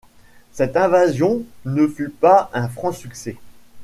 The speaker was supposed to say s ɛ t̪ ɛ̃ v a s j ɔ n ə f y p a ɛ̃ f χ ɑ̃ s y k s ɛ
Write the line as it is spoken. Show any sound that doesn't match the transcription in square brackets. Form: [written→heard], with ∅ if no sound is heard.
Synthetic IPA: s ɛ t̪ ɛ̃ v a [s→z] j [ɔ→ɔ̃] n ə f y p a ɛ̃ f χ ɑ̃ s y k s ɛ